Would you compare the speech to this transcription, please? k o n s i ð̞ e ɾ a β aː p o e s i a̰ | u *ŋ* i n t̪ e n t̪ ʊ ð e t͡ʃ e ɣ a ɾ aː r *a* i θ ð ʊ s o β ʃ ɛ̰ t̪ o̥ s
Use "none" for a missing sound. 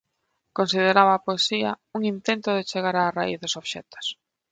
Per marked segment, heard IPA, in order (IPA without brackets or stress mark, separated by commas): ŋ, a